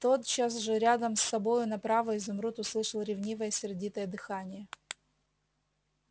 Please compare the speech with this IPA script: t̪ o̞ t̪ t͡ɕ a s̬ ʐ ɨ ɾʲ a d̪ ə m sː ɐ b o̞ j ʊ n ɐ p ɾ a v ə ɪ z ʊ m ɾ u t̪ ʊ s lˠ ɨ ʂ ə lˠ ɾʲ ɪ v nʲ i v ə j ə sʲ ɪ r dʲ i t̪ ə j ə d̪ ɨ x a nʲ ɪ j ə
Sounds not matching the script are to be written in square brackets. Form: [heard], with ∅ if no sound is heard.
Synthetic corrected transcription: t̪ o̞ t̪ t͡ɕ a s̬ ʐ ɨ ɾʲ a d̪ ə m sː ɐ b o̞ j ʊ n ɐ p ɾ a v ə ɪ z ʊ m ɾ u t̪ ʊ s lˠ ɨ ʂ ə lˠ ɾʲ ɪ v nʲ i v ə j ə sʲ ɪ r dʲ i t̪ ə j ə d̪ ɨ x a nʲ ɪ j ə